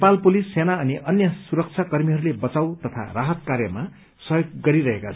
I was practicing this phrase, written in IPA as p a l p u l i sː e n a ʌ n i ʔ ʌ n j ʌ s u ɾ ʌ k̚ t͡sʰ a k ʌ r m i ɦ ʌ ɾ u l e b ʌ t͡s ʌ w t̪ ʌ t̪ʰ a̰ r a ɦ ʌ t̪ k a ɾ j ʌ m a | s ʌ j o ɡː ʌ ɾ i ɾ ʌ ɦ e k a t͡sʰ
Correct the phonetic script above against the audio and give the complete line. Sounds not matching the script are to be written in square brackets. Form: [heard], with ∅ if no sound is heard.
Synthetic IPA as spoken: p a l p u l i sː e n a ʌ n i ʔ ʌ n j ʌ s u ɾ ʌ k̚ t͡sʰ a k ʌ r m i ɦ ʌ ɾ u l e b ʌ t͡s [a] w t̪ ʌ t̪ʰ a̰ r a ɦ ʌ t̪ k a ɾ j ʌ m a | s ʌ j o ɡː ʌ ɾ i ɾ ʌ ɦ e k a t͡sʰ